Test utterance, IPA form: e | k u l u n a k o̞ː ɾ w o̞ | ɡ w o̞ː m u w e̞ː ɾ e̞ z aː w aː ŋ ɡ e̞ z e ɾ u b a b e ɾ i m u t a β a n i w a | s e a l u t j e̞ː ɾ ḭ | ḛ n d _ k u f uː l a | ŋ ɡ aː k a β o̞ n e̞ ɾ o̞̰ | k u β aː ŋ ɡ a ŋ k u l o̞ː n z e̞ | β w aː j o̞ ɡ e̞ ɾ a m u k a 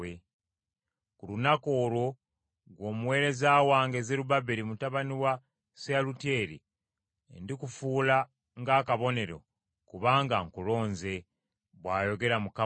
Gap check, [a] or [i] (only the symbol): i